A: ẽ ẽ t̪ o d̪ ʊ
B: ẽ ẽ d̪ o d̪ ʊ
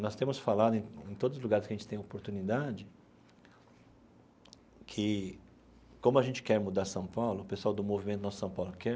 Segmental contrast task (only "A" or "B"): A